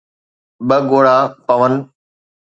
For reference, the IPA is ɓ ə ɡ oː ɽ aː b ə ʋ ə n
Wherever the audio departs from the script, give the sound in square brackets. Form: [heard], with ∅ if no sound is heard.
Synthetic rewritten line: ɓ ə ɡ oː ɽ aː [p] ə ʋ ə n